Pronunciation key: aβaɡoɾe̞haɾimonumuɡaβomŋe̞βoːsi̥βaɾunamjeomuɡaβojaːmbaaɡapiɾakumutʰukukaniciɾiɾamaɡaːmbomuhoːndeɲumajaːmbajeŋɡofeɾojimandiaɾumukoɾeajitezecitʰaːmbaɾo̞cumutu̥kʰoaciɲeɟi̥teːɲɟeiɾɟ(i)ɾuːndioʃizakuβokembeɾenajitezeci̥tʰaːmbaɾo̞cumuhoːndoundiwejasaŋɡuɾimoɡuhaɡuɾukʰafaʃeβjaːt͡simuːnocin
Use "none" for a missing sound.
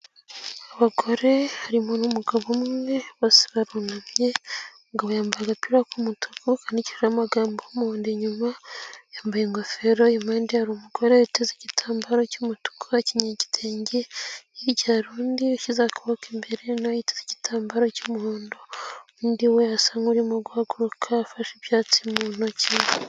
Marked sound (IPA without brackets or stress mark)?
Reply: a